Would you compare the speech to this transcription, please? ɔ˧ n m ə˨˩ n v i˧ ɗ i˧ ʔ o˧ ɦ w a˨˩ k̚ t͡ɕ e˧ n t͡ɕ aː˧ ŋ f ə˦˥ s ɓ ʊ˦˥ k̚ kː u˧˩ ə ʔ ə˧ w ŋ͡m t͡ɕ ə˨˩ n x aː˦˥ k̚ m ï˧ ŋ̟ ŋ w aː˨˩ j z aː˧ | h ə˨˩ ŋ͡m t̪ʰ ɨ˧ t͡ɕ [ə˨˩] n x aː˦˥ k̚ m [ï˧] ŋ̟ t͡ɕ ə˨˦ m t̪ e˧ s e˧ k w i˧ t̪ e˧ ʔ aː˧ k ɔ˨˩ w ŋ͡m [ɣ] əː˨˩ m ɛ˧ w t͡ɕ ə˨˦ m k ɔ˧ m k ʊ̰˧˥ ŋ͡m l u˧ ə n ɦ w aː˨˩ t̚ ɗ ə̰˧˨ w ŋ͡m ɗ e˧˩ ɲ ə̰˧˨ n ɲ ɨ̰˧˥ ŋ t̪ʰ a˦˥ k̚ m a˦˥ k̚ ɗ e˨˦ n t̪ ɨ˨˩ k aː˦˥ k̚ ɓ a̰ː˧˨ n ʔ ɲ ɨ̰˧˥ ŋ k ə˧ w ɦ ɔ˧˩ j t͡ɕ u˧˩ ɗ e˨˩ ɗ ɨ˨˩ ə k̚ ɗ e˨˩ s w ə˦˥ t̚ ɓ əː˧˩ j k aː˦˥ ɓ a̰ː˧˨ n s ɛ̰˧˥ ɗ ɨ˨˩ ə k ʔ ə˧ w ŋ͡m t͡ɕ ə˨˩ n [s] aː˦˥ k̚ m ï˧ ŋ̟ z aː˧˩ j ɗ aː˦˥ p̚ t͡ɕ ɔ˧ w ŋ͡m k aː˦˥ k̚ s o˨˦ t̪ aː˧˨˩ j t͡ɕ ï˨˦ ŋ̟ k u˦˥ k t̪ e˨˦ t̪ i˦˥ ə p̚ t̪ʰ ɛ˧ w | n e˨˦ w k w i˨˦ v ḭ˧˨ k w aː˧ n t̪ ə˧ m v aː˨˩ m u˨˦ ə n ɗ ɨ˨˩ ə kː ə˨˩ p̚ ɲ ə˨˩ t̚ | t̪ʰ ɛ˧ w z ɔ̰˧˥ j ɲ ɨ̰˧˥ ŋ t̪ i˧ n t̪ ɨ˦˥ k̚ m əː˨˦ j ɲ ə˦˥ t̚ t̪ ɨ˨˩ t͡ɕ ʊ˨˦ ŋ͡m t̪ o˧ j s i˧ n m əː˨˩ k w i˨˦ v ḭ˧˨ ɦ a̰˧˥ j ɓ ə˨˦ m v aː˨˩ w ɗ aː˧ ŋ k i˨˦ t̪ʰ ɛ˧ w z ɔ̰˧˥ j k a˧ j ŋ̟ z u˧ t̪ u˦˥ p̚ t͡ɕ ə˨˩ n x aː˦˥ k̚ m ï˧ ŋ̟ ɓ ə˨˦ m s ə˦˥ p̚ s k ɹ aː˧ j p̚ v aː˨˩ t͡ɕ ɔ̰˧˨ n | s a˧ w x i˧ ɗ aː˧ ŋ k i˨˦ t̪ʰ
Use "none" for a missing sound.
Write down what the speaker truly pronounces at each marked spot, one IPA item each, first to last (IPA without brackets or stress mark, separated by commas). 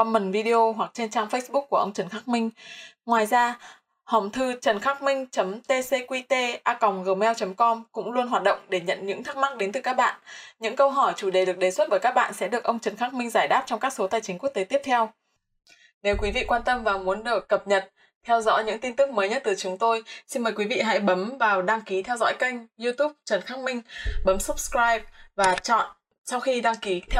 ə˨˩, ï˧, ɣ, x